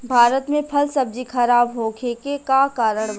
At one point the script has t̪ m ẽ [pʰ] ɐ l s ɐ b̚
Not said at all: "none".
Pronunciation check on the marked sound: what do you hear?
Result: pʰ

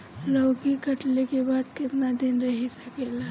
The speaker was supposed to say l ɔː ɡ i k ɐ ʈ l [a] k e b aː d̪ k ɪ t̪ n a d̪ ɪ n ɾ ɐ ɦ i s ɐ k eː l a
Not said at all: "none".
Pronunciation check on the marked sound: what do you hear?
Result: e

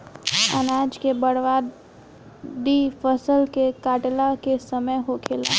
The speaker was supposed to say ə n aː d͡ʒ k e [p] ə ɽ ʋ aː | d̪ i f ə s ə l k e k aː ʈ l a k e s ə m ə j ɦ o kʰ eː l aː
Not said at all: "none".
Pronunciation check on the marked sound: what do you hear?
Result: b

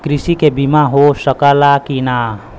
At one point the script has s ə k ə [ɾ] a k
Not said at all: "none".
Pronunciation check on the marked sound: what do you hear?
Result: l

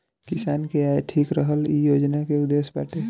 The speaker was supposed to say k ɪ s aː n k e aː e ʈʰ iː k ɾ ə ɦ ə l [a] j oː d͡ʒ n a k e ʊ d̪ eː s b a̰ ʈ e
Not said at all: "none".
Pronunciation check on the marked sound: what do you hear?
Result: i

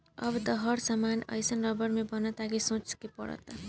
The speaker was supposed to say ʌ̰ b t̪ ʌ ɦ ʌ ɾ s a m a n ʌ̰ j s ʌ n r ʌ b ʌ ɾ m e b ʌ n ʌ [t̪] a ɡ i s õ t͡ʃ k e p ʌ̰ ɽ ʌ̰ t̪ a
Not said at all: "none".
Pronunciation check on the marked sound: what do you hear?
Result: t̪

